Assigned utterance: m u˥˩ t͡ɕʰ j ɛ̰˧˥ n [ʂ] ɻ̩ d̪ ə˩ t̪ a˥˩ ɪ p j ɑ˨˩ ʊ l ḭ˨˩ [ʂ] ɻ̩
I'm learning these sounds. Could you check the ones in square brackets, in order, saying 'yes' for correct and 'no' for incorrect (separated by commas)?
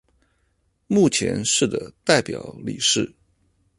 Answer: yes, yes